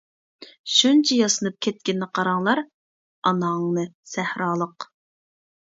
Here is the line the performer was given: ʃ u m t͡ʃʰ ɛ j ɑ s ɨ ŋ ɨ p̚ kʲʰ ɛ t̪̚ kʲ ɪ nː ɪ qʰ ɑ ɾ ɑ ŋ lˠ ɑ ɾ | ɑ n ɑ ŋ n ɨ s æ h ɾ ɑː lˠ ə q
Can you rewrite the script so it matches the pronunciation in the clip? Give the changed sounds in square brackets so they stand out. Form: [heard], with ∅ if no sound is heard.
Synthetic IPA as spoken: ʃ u [n] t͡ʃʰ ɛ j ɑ s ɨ [n] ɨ p̚ kʲʰ ɛ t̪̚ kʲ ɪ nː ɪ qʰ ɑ ɾ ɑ ŋ lˠ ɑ ɾ | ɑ n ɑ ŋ n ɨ s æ h ɾ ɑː lˠ ə q

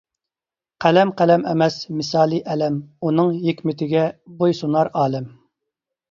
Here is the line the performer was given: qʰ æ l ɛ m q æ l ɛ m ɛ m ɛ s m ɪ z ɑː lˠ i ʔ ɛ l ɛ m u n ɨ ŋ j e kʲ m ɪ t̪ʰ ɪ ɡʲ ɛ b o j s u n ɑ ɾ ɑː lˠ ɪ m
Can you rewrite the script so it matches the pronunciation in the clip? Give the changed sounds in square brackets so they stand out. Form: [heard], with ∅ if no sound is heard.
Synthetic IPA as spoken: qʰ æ l ɛ m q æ l ɛ m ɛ m ɛ s m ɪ [s] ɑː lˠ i ʔ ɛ l ɛ m u n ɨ ŋ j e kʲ m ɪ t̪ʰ ɪ ɡʲ ɛ b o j s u n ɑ ɾ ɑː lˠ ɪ m

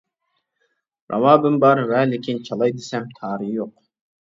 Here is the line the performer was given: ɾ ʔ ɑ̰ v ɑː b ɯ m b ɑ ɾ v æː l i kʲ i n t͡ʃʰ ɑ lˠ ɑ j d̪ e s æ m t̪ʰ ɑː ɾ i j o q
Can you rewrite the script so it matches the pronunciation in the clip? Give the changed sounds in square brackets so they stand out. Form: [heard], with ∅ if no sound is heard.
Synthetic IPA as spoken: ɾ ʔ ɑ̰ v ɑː b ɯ m b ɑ ɾ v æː l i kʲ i n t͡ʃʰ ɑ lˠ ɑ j d̪ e s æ m t̪ʰ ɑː ɾ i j o q

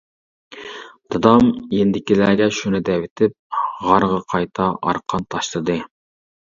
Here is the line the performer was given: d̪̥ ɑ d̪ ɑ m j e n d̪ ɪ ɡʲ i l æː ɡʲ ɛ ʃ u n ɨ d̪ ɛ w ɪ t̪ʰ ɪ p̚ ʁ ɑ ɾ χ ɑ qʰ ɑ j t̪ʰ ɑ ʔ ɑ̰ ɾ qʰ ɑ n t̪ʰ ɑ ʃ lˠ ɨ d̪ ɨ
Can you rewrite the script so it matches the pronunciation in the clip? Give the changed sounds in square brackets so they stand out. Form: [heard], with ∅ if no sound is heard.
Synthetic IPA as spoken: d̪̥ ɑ d̪ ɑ m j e n d̪ ɪ [kʲ] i l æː ɡʲ ɛ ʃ u n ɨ d̪ ɛ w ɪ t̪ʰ ɪ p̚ ʁ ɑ ɾ [ʁ] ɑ qʰ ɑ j t̪ʰ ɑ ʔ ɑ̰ ɾ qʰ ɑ n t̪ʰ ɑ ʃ lˠ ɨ d̪ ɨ

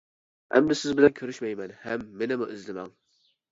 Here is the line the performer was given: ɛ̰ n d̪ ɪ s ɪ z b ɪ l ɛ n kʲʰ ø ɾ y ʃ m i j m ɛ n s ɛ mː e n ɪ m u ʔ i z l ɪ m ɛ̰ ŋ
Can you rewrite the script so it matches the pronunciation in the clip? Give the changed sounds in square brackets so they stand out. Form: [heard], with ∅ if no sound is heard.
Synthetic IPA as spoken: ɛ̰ [m] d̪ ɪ s ɪ z b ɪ l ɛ n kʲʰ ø ɾ y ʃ m [ɛ] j m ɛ n [h] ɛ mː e n ɪ m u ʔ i z l ɪ m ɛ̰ ŋ

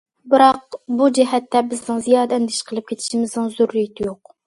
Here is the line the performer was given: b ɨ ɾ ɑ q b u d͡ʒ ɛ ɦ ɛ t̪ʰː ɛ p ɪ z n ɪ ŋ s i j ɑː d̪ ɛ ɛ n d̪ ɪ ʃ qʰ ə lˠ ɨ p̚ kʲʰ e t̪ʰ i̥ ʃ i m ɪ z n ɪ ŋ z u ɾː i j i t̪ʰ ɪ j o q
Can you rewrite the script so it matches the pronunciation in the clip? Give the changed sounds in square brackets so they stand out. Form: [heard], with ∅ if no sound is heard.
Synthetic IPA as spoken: b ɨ ɾ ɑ q b u d͡ʒ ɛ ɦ ɛ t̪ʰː ɛ [b] ɪ z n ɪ ŋ [z] i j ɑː d̪ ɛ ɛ n d̪ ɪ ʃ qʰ ə lˠ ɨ p̚ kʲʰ e t̪ʰ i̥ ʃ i m ɪ z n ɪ ŋ z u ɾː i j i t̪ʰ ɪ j o q

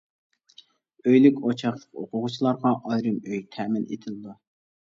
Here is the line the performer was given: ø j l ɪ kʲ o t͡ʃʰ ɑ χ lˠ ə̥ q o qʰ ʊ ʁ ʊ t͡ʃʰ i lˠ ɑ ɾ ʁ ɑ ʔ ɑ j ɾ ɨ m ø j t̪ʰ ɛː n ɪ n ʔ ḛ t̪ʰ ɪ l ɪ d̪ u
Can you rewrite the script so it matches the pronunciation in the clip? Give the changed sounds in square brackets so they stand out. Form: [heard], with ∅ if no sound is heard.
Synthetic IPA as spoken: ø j l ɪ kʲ o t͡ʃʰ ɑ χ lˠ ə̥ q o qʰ ʊ ʁ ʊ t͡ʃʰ i lˠ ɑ ɾ ʁ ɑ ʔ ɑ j ɾ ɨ m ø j t̪ʰ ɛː [m] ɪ n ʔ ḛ t̪ʰ ɪ l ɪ d̪ u

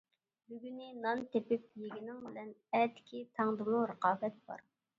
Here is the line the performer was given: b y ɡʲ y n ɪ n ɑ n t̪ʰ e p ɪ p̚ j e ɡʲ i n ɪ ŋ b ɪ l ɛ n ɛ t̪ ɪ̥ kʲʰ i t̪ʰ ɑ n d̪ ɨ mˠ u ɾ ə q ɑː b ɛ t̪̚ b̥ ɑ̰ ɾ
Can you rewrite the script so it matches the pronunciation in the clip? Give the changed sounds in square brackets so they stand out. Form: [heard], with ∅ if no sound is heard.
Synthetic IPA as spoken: b y ɡʲ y n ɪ n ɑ n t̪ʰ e p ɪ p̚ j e ɡʲ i n ɪ ŋ b ɪ l ɛ n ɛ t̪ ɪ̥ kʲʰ i t̪ʰ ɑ [ŋ] d̪ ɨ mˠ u ɾ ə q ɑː b ɛ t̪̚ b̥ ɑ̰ ɾ

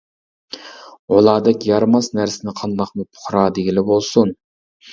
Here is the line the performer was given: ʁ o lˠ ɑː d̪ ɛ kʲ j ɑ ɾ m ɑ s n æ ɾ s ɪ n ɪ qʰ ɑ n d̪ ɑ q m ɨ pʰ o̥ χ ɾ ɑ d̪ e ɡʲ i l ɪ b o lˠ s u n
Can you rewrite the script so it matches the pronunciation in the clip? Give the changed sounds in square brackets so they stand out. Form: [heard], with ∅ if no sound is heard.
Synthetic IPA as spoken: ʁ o lˠ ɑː d̪ ɛ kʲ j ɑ ɾ m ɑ s n æ ɾ s ɪ n ɪ qʰ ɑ n d̪ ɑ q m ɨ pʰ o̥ χ ɾ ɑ d̪ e ɡʲ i l ɪ b o lˠ s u n

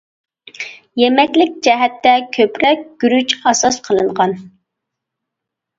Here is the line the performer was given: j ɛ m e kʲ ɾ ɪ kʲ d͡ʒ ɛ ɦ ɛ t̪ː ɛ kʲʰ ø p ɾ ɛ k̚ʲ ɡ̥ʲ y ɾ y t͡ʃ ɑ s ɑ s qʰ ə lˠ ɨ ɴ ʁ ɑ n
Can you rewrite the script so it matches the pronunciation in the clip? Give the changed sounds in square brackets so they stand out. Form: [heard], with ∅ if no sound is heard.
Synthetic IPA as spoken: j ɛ m [ɛ] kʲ [l] ɪ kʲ d͡ʒ ɛ ɦ ɛ t̪ː ɛ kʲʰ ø p ɾ ɛ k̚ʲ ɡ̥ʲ y ɾ y t͡ʃ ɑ s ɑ s qʰ ə lˠ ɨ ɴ ʁ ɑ n

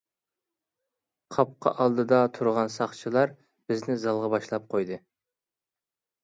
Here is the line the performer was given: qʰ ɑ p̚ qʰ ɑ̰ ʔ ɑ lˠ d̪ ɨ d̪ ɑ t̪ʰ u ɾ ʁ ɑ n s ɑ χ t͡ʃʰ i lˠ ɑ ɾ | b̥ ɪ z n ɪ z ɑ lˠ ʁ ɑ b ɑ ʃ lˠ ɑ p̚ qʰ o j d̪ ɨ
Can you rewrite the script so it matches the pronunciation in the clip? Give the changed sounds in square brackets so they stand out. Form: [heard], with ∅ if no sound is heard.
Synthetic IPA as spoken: qʰ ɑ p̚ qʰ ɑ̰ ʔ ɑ lˠ d̪ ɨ d̪ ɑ t̪ʰ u ɾ ʁ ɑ n s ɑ χ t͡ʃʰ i lˠ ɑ ɾ | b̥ ɪ z n ɪ z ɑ lˠ ʁ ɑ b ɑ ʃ lˠ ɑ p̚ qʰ o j d̪ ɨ

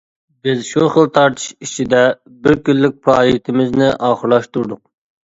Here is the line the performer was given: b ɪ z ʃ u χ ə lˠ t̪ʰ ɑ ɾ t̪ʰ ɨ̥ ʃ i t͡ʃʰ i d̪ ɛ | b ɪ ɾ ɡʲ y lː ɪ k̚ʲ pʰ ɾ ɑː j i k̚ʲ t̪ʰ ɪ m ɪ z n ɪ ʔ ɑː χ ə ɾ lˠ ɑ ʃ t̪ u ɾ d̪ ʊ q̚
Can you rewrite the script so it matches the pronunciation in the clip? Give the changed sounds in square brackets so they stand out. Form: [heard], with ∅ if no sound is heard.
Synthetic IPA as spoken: b ɪ z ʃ u χ ə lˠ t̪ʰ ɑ ɾ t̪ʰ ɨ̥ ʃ i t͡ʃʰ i d̪ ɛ | b ɪ ɾ [kʲ] y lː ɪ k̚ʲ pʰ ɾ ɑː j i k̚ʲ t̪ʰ ɪ m ɪ z n ɪ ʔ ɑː χ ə ɾ lˠ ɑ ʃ t̪ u ɾ d̪ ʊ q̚

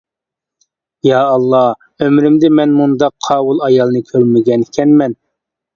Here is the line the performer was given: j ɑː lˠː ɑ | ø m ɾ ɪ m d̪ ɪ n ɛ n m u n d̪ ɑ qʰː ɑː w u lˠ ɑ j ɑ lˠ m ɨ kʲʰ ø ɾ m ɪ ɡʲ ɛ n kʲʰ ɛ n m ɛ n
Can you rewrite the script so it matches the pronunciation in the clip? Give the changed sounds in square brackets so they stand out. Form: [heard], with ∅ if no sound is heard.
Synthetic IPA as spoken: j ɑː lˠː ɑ | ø m ɾ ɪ m d̪ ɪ [m] ɛ n m u n d̪ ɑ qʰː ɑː w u lˠ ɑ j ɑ lˠ [n] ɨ kʲʰ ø ɾ m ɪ ɡʲ ɛ n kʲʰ ɛ n m ɛ n

